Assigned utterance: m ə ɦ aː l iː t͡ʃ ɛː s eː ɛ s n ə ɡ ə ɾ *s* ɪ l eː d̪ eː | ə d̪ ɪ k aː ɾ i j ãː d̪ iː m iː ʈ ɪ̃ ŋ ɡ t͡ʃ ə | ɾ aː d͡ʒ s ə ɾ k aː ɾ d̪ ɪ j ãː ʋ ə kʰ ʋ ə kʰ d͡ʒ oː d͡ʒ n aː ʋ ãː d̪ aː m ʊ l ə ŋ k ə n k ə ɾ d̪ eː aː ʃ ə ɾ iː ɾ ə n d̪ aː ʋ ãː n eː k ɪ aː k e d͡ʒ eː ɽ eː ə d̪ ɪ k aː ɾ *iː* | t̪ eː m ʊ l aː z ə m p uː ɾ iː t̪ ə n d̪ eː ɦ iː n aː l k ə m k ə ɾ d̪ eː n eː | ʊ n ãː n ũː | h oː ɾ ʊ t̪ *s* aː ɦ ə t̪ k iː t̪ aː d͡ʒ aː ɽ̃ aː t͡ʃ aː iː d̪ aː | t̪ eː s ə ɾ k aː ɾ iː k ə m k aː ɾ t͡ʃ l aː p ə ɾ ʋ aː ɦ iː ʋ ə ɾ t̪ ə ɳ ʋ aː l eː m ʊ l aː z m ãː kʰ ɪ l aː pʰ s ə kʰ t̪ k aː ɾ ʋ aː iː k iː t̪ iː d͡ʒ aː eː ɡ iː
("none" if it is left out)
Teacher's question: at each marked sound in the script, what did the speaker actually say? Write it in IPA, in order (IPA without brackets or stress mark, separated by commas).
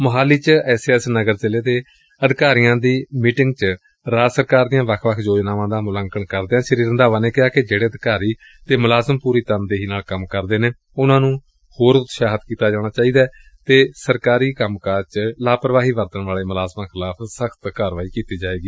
z, iː, ʃ